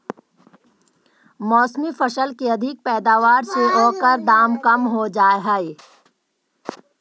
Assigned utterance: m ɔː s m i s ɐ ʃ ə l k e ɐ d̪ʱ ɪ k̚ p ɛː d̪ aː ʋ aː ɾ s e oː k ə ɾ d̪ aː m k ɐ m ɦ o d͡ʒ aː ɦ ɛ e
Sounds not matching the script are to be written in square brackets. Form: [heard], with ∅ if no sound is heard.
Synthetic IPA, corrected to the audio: m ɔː s m i [f] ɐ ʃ ə l k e ɐ d̪ʱ ɪ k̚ p ɛː d̪ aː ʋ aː ɾ s e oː k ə ɾ d̪ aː m k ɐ m ɦ o d͡ʒ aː ɦ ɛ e